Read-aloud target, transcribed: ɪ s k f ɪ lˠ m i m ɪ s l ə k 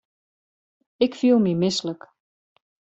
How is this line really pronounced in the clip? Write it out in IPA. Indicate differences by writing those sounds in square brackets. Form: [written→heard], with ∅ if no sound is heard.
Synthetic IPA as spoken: ɪ [s→∅] k f [ɪ→i] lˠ m i m ɪ s l ə k